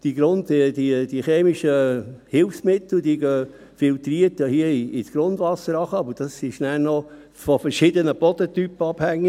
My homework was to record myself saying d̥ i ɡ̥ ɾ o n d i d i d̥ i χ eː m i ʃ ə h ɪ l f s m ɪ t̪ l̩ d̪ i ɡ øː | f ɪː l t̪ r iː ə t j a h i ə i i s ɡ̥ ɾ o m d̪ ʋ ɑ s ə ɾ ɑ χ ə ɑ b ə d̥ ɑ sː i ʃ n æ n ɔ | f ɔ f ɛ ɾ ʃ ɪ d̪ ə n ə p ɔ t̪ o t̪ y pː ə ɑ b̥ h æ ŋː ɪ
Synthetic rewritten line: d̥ i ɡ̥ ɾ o n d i d i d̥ i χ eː m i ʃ ə h ɪ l f s m ɪ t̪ l̩ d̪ i ɡ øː | f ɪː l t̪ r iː ə t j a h i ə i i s ɡ̥ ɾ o n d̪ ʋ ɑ s ə ɾ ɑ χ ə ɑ b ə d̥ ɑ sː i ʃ n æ n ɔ | f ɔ f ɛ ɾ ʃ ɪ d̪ ə n ə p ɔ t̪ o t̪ y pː ə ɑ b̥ h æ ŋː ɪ